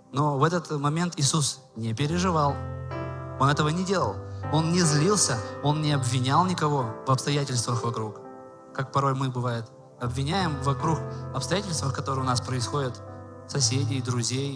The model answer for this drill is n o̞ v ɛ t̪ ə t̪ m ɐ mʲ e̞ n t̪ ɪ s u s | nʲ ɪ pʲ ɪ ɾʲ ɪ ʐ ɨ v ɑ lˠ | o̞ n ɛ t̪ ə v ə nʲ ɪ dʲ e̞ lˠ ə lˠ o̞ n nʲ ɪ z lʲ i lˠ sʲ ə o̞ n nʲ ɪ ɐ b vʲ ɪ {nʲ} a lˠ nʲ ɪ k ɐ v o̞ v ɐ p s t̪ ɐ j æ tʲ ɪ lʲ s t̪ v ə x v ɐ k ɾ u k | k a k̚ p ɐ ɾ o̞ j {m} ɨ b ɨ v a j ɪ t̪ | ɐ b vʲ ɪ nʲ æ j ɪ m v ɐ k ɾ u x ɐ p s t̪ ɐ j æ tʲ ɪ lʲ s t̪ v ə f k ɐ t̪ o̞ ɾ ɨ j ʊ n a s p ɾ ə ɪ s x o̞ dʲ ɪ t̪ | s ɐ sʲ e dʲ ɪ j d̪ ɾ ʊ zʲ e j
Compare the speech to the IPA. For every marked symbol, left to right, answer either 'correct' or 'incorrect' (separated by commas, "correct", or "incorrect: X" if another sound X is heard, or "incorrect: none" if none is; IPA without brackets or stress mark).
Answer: correct, correct